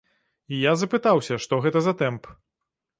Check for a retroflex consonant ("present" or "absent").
present